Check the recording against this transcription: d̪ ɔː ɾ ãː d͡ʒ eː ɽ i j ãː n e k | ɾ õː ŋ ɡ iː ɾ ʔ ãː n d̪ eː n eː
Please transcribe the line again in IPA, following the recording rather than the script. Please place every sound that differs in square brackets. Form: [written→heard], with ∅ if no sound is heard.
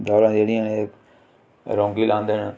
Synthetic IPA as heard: d̪ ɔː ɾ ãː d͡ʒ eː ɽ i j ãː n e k | ɾ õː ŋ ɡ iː [ɾ→l] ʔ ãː n d̪ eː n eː